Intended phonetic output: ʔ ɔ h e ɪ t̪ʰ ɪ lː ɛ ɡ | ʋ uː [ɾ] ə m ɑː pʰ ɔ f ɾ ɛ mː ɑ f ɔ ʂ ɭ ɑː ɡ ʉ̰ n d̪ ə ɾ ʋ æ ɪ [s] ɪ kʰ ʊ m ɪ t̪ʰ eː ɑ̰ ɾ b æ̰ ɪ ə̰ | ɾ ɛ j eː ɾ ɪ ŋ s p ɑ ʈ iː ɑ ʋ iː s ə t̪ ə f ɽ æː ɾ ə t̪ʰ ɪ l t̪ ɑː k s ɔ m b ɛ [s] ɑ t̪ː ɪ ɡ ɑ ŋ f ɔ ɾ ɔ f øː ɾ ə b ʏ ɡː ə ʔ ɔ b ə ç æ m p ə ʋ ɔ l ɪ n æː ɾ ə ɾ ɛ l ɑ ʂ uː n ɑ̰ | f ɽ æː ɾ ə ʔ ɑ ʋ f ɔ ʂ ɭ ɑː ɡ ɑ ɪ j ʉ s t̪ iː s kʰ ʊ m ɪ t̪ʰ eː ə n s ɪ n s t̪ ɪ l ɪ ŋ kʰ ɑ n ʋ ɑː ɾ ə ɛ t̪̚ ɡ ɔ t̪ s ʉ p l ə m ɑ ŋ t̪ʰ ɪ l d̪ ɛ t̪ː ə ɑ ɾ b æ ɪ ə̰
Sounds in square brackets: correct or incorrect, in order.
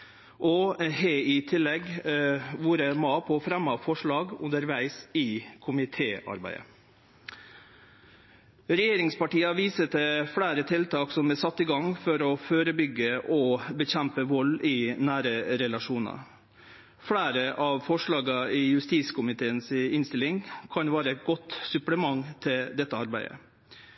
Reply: correct, correct, correct

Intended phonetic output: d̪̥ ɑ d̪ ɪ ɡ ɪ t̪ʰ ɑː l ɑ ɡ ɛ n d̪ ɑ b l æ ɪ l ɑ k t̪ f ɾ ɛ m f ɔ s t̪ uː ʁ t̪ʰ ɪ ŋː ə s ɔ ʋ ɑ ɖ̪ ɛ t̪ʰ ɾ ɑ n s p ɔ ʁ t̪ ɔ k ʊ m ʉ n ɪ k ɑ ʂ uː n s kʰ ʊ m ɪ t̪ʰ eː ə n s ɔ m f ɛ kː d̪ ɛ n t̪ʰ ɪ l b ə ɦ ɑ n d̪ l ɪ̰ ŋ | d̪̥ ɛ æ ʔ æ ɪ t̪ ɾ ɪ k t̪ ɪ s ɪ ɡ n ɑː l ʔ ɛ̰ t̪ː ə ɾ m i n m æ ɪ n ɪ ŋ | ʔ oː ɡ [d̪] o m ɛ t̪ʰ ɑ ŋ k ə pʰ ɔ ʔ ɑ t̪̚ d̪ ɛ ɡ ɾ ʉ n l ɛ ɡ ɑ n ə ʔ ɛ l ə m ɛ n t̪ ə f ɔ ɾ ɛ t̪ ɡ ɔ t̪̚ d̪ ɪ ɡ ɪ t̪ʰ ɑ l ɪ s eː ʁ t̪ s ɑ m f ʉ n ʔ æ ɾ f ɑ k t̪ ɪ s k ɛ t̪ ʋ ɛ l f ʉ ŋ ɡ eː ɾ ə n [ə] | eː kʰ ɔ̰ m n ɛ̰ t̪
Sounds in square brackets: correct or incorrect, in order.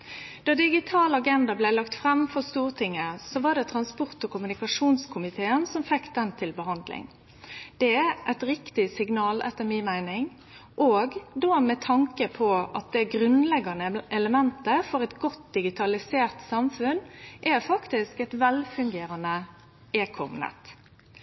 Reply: correct, correct

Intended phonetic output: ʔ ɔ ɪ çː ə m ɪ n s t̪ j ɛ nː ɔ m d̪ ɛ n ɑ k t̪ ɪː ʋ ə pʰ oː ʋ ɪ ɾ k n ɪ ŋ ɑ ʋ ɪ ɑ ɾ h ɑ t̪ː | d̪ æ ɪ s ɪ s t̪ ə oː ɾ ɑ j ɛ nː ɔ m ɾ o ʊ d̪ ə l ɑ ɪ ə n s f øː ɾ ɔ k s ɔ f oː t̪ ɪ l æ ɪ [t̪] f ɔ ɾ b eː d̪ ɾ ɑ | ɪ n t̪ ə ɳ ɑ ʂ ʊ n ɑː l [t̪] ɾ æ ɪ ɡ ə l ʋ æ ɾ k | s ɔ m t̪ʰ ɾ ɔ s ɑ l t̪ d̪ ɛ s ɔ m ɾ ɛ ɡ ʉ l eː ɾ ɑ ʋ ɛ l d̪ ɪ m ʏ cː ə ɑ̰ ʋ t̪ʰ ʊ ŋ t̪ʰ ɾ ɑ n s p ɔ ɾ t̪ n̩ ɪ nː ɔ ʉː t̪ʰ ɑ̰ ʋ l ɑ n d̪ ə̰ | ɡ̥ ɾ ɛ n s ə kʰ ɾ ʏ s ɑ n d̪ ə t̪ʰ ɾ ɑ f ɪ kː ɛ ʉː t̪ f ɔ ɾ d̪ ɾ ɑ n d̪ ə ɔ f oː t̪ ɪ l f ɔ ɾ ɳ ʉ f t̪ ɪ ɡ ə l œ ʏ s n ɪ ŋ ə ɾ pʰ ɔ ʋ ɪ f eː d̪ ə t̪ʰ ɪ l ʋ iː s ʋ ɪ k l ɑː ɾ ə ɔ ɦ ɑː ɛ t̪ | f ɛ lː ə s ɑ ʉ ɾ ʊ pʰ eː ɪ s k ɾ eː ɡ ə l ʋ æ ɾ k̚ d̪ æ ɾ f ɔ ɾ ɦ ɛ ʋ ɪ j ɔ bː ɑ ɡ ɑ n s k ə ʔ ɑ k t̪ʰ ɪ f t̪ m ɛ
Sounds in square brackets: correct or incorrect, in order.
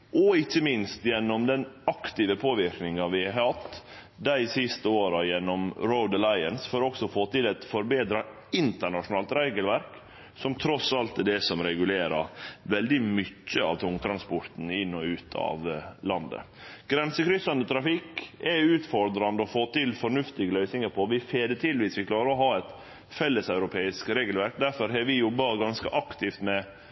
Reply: correct, correct

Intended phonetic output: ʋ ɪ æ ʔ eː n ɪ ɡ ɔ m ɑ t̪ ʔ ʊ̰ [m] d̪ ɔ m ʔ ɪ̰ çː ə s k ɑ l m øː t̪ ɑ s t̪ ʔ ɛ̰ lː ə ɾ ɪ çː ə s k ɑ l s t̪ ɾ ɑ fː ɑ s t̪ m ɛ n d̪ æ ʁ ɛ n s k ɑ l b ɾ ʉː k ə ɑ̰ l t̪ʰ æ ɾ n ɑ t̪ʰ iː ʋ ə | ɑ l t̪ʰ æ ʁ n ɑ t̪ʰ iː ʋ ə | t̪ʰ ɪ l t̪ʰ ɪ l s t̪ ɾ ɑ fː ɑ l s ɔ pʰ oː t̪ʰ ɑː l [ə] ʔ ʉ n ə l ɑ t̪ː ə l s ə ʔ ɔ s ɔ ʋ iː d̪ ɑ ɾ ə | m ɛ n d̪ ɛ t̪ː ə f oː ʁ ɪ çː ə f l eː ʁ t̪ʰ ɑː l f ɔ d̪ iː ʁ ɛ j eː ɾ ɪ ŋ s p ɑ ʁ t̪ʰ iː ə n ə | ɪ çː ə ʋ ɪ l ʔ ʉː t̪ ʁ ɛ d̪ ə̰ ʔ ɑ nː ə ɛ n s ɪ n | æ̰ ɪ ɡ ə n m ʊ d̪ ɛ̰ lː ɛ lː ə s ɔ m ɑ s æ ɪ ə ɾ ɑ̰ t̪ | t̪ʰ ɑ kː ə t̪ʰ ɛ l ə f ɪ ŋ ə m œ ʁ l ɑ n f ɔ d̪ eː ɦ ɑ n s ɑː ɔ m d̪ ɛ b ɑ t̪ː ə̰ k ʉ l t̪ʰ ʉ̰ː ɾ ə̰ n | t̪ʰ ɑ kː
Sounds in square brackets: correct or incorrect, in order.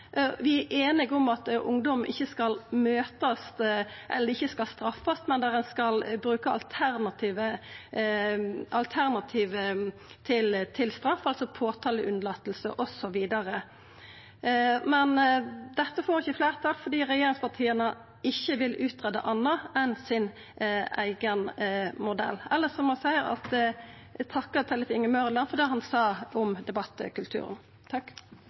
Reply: incorrect: ŋ, correct

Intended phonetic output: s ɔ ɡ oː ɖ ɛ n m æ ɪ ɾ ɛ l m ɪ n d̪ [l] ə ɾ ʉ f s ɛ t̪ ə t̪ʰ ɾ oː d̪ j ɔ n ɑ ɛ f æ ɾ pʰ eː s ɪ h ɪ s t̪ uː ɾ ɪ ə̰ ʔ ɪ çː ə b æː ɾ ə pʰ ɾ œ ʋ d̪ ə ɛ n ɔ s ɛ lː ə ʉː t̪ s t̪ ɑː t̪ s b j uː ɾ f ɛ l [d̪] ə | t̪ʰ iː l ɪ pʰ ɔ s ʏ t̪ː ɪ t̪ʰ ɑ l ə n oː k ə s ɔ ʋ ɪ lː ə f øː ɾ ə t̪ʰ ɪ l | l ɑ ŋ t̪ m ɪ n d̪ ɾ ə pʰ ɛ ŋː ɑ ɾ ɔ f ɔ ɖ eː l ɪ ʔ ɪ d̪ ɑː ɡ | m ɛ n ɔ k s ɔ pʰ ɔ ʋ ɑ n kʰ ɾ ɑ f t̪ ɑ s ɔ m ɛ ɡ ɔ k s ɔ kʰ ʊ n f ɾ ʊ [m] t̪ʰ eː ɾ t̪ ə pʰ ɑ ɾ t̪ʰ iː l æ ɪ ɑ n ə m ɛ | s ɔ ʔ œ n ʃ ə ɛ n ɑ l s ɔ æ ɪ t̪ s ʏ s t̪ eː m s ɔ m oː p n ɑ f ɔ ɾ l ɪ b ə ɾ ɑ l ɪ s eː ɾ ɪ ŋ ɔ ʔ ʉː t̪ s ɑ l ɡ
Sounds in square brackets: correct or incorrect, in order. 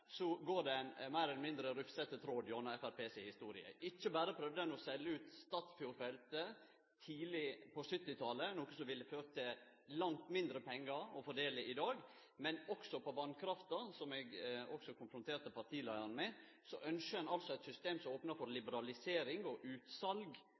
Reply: incorrect: ɾ, incorrect: t̪, incorrect: n

